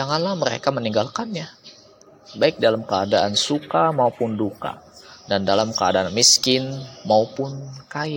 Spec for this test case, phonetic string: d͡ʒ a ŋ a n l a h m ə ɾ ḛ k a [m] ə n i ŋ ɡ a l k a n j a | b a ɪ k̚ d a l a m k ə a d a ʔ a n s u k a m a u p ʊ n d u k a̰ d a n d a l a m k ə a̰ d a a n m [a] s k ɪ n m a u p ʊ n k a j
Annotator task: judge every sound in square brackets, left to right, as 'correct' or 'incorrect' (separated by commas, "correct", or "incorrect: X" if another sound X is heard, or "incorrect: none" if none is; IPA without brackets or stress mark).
correct, incorrect: i